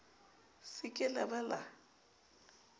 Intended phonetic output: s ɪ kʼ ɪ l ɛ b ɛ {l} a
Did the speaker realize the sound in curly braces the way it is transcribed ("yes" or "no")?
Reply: yes